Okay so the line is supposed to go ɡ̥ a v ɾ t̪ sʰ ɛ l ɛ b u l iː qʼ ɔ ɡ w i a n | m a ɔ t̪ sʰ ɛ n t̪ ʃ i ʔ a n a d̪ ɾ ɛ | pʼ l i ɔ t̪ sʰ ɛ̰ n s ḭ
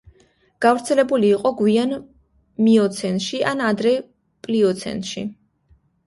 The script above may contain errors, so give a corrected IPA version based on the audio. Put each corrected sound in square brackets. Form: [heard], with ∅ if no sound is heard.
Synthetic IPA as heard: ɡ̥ a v ɾ t̪ sʰ ɛ l ɛ b u l iː qʼ ɔ ɡ w i a n | m [i] ɔ t̪ sʰ ɛ n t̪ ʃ i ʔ a n a d̪ ɾ ɛ | pʼ l i ɔ t̪ sʰ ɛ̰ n [ʃ] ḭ